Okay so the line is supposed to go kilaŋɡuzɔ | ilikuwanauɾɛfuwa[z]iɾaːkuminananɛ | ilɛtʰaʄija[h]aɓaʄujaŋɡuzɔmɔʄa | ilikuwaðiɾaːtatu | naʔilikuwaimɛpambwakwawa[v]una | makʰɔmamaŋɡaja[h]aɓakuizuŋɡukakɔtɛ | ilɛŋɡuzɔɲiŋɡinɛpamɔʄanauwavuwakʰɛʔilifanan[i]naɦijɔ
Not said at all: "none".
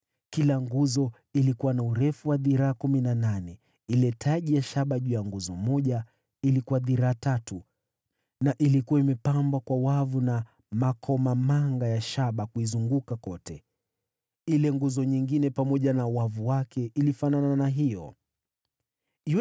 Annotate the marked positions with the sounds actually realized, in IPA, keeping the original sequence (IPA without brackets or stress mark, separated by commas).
ð, ʃ, v, ʃ, a